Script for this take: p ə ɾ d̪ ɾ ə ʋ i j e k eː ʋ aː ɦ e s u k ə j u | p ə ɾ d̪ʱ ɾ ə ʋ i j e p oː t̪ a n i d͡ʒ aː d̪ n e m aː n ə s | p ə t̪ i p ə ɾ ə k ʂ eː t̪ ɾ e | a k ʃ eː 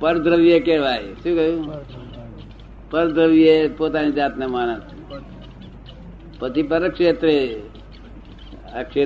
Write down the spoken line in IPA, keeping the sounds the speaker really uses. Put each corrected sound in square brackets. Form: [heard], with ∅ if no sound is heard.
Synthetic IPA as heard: p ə ɾ d̪ ɾ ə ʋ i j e k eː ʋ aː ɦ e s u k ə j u | p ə ɾ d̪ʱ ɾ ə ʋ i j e p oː t̪ a n i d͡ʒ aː [t̪] n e m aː n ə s | p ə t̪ i p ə ɾ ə k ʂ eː t̪ ɾ e | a k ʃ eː